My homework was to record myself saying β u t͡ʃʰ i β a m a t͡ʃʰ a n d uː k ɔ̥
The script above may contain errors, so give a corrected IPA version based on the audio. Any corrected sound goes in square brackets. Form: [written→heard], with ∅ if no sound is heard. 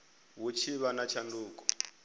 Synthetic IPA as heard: [β→w] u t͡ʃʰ i β a [m→n] a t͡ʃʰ a n d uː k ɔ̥